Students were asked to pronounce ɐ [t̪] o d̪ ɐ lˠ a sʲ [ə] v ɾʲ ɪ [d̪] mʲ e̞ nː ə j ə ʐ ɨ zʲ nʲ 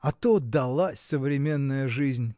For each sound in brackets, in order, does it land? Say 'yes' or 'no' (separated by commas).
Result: yes, yes, no